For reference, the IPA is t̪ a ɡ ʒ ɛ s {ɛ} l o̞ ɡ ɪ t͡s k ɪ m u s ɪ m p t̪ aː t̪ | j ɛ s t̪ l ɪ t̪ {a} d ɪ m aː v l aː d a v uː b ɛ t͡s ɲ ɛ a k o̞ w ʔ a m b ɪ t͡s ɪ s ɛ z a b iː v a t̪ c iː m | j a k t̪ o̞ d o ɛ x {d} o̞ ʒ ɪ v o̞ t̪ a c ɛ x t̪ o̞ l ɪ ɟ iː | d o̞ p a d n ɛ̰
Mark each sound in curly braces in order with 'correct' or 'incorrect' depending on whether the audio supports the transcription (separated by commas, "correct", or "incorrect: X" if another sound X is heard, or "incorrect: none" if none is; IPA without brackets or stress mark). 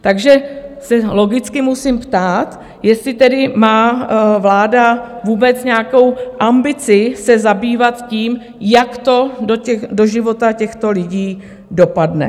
correct, incorrect: ɛ, correct